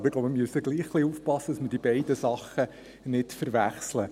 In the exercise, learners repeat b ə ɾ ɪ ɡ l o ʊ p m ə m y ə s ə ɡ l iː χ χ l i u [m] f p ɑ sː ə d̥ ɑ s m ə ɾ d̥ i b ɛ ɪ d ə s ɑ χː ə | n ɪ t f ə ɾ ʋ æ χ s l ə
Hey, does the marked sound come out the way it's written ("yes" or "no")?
no